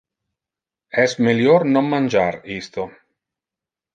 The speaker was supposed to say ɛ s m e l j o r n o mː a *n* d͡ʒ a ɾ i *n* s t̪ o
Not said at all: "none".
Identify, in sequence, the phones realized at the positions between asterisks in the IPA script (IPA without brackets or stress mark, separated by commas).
n, none